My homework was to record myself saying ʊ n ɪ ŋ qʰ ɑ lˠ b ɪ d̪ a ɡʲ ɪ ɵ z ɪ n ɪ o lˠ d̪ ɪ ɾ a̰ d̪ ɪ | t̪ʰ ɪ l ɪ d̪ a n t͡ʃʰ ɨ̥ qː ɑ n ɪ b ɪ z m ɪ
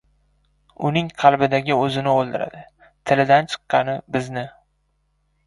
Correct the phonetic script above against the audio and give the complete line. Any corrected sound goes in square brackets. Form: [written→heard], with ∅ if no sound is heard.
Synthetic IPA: ʊ n ɪ ŋ qʰ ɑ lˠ b ɪ d̪ a ɡʲ ɪ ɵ z ɪ n ɪ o lˠ d̪ ɪ ɾ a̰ d̪ ɪ | t̪ʰ ɪ l ɪ d̪ a n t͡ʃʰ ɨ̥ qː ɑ n ɪ b ɪ z [m→n] ɪ